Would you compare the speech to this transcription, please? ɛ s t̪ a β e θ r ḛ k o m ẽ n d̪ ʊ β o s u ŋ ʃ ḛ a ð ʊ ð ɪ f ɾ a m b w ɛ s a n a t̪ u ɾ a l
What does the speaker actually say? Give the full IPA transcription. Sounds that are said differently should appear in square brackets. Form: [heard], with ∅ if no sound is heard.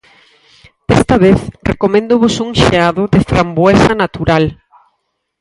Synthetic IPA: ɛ s t̪ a β e θ r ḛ k o m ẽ n d̪ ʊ β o s u ŋ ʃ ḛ a ð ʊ ð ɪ f ɾ a m b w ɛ s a n a t̪ u ɾ a l